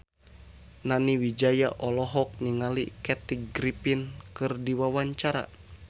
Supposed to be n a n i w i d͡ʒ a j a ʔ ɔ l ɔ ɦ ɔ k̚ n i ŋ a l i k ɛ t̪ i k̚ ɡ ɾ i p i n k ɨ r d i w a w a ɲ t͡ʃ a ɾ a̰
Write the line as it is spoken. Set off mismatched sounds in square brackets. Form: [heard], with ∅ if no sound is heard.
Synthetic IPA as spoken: n a n i w i d͡ʒ a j a ʔ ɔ l ɔ ɦ ɔ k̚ n i ŋ a l i k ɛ t̪ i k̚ ɡ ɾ i p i n k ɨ r d i w a w a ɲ t͡ʃ a ɾ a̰

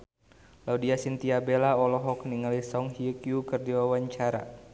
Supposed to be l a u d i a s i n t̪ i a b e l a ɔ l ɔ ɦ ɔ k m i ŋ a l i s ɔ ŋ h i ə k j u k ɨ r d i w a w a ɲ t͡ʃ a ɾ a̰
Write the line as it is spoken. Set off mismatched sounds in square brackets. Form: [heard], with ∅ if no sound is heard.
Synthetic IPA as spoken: l a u d i a s i n t̪ i a b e l a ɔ l ɔ ɦ ɔ k [n] i ŋ a l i s ɔ ŋ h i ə k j u k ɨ r d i w a w a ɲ t͡ʃ a ɾ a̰

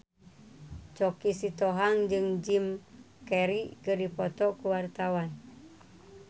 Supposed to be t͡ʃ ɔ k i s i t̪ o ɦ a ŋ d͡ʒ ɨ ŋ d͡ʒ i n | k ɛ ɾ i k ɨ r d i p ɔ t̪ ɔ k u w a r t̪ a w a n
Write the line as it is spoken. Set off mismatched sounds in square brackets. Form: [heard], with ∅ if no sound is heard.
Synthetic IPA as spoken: t͡ʃ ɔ k i s i t̪ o ɦ a ŋ d͡ʒ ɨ ŋ d͡ʒ i [m] | k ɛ ɾ i k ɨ r d i p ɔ t̪ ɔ k u w a r t̪ a w a n

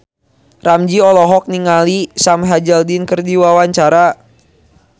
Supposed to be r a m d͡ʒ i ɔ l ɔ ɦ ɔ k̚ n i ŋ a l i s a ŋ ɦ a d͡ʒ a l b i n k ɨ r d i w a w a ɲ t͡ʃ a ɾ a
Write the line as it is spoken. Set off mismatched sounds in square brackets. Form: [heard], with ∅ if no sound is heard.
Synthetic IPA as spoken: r a m d͡ʒ i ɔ l ɔ ɦ ɔ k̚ n i ŋ a l i s a [m] ɦ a d͡ʒ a l [d] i n k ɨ r d i w a w a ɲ t͡ʃ a ɾ a

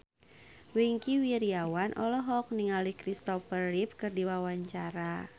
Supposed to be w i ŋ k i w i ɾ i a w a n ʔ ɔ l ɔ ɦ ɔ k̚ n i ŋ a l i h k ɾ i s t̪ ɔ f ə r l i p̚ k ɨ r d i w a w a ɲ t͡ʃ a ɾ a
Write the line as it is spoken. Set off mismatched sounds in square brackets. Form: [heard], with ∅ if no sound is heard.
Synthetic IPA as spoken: w i ŋ k i w i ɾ i a w a n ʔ ɔ l ɔ ɦ ɔ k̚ n i ŋ a l i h k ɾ i s t̪ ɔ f ə r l i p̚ k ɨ r d i w a w a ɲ t͡ʃ a ɾ a

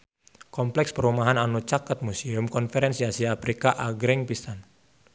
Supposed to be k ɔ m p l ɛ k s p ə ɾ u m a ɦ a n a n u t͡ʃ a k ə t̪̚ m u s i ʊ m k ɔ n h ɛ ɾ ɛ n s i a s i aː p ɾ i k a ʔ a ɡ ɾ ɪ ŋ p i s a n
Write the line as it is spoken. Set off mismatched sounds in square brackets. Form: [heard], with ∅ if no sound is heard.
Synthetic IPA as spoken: k ɔ m p l ɛ k s p ə ɾ u m a ɦ a n a n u t͡ʃ a k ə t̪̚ m u s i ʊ m k ɔ n [f] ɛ ɾ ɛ n s i a s i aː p ɾ i k a ʔ a ɡ ɾ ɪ ŋ p i s a n

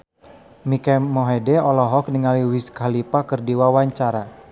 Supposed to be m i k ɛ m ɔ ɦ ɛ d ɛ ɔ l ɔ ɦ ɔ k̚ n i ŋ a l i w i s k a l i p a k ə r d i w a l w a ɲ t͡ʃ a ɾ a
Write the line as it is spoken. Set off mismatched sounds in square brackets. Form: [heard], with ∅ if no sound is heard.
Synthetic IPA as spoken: m i k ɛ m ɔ ɦ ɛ d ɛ ɔ l ɔ ɦ ɔ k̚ n i ŋ a l i w i s k a l i p a k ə r d i w a [∅] w a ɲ t͡ʃ a ɾ a

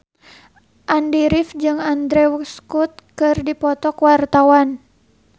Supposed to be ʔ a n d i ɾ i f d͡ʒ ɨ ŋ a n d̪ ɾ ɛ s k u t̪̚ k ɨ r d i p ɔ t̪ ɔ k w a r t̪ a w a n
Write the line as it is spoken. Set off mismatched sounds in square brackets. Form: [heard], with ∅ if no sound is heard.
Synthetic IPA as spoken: ʔ a n d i ɾ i f d͡ʒ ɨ ŋ a n d̪ ɾ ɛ s k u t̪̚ k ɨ r d i p ɔ t̪ ɔ k w a r t̪ a w a n

